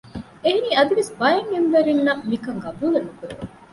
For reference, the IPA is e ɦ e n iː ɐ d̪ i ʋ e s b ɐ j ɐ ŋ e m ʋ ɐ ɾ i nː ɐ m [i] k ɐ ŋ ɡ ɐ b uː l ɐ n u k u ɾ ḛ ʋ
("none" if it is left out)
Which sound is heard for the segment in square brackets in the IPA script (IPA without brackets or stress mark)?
i